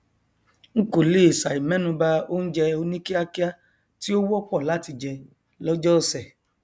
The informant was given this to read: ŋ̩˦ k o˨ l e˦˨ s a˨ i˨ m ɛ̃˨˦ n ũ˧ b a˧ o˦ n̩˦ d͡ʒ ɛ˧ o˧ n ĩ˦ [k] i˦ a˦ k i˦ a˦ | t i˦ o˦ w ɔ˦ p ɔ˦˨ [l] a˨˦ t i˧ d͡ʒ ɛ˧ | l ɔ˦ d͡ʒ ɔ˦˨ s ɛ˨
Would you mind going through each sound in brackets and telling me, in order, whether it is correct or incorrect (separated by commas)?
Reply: correct, correct